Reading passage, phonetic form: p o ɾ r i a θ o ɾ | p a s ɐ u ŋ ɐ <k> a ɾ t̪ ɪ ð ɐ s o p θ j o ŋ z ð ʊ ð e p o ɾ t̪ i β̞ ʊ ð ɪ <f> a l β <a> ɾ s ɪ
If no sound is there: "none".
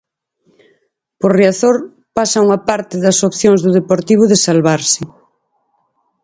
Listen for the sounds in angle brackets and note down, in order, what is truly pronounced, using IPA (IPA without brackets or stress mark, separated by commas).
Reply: p, s, a